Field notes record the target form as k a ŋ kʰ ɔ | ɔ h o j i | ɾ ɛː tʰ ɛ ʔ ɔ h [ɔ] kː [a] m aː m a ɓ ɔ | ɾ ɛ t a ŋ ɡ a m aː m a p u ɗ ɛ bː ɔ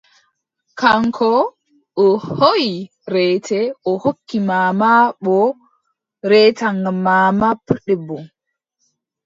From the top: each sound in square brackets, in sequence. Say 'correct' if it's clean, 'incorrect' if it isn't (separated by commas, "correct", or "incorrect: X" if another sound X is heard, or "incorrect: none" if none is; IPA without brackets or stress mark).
incorrect: o, incorrect: i